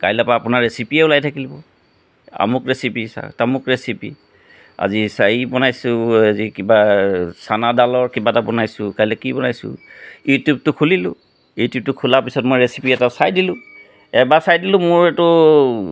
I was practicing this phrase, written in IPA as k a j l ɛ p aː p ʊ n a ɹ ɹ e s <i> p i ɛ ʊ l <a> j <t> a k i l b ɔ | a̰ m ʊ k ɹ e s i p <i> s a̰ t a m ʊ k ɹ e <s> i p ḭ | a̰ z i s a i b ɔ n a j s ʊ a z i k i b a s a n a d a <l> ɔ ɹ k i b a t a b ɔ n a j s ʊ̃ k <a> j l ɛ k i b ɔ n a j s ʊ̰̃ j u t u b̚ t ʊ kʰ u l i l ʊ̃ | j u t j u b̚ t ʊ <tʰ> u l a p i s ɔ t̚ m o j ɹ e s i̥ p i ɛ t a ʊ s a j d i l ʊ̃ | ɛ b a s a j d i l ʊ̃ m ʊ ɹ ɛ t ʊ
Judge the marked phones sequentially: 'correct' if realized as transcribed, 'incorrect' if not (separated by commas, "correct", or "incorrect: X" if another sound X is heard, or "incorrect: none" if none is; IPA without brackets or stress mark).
correct, correct, incorrect: tʰ, correct, correct, correct, correct, incorrect: kʰ